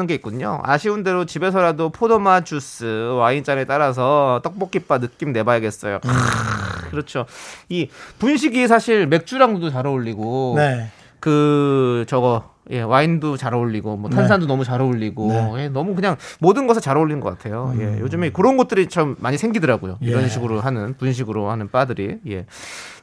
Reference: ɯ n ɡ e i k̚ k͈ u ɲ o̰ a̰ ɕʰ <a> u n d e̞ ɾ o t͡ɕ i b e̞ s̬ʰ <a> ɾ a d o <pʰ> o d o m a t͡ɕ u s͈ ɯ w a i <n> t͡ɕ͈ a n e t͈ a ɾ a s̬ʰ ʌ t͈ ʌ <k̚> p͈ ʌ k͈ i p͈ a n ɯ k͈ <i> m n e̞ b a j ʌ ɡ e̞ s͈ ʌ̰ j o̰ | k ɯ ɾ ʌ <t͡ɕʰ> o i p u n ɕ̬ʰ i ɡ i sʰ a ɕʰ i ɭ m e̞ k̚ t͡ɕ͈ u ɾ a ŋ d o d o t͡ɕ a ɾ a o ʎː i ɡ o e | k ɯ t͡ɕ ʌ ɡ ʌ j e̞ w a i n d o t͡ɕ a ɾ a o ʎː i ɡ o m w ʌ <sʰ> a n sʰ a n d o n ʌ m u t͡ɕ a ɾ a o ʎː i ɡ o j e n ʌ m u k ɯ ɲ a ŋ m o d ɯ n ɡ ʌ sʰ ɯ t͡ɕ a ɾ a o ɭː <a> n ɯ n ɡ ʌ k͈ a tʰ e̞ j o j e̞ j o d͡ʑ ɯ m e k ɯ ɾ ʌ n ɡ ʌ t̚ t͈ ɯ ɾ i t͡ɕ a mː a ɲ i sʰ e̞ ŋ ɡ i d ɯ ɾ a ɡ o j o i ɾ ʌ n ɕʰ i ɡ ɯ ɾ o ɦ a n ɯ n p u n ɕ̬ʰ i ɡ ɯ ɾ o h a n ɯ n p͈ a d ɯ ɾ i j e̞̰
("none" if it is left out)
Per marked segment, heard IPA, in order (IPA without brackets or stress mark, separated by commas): i, ʌ, pʰ, n, k̚, i, t͡ɕʰ, tʰ, i